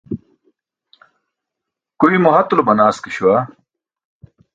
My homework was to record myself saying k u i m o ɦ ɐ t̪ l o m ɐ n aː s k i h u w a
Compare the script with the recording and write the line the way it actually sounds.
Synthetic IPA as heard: k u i m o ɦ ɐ t̪ l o b ɐ n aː s k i ɕ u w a